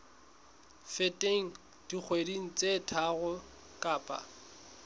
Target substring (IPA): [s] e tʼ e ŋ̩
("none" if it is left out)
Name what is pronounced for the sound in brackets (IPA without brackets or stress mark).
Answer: f